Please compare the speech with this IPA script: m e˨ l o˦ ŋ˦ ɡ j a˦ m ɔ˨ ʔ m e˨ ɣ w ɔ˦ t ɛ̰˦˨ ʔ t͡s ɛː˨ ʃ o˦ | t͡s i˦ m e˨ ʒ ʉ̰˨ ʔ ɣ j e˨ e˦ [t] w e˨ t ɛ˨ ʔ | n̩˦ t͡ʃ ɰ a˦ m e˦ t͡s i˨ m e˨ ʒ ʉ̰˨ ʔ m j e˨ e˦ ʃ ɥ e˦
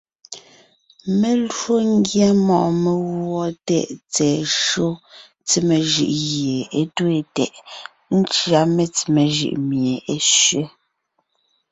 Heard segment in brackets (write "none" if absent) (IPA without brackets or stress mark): t